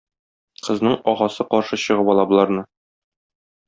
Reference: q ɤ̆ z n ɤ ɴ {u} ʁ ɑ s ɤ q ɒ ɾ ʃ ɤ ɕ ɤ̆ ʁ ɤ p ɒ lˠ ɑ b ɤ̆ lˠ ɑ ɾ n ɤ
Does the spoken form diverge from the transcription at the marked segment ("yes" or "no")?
yes